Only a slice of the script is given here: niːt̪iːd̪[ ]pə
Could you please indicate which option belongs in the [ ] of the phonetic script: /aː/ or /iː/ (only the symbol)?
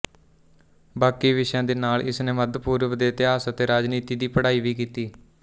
iː